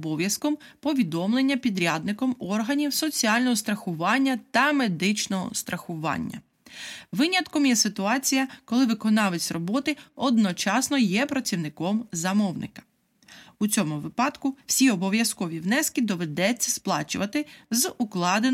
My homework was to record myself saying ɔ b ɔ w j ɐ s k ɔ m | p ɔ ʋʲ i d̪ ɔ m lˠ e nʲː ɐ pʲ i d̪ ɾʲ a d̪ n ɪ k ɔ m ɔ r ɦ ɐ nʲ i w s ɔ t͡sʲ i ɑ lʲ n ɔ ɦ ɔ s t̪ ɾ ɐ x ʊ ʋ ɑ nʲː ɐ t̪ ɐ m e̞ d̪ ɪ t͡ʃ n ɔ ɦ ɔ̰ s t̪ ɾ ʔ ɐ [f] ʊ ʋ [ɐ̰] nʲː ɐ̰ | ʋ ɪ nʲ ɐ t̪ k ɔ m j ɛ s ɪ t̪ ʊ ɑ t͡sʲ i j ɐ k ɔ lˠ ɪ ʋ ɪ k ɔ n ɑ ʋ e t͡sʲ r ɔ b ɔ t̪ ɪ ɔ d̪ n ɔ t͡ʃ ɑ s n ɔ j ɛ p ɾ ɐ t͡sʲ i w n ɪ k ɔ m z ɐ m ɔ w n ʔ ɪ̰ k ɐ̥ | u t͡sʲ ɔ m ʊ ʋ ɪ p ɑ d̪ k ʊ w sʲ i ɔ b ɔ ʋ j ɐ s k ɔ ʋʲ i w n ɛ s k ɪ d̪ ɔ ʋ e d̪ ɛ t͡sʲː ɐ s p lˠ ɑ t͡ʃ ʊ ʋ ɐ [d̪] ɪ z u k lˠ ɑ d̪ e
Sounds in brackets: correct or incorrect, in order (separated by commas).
incorrect, incorrect, incorrect